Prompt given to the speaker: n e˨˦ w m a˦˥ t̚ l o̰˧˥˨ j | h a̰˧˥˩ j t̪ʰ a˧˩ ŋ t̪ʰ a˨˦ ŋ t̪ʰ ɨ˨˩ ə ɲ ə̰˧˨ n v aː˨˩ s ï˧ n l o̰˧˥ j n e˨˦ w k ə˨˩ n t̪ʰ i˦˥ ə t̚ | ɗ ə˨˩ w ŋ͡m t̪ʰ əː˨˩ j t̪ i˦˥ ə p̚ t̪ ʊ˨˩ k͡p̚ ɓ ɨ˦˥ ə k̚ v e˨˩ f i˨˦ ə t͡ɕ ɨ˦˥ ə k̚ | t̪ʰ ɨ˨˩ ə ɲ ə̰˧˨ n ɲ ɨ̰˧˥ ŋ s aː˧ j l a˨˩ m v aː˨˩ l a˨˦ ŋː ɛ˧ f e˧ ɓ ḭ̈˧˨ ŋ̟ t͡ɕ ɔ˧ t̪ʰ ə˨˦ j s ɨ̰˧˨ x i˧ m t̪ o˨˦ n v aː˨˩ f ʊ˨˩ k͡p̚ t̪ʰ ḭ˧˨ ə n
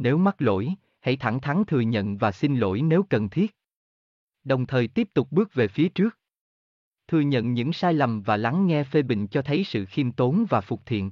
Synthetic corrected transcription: n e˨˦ w m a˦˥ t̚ l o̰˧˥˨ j | h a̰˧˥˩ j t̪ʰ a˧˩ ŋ t̪ʰ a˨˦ ŋ t̪ʰ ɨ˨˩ ə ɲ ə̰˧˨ n v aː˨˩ s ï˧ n l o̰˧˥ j n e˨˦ w k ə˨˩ n t̪ʰ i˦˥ ə t̚ | ɗ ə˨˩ w ŋ͡m t̪ʰ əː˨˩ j t̪ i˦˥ ə p̚ t̪ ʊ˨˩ k͡p̚ ɓ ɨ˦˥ ə k̚ v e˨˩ f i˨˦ ə t͡ɕ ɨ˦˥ ə k̚ | t̪ʰ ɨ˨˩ ə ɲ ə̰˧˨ n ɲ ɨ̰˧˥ ŋ s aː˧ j l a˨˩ m v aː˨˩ l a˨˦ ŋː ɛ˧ f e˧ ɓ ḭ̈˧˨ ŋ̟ t͡ɕ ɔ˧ t̪ʰ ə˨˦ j s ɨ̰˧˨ x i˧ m t̪ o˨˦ n v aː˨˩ f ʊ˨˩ k͡p̚ t̪ʰ ḭ˧˨ ə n